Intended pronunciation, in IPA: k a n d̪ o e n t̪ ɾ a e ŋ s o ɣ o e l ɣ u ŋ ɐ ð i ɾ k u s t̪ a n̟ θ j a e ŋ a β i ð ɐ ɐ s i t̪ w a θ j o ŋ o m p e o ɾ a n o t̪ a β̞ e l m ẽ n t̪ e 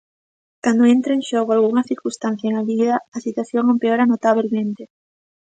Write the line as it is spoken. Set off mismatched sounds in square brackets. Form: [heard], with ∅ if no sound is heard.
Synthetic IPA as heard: k a n d̪ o e n t̪ ɾ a e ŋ [ʃ] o ɣ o [a] l ɣ u ŋ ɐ [θ] i ɾ k u s t̪ a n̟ θ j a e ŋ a β i ð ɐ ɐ s i t̪ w a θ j o ŋ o m p e o ɾ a n o t̪ a β̞ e l m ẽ n t̪ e